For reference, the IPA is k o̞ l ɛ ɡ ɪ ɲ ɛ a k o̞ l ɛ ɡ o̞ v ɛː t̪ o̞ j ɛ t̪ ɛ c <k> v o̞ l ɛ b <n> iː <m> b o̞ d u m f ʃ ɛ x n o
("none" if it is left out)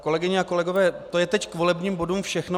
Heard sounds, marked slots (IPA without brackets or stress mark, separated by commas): k, ɲ, m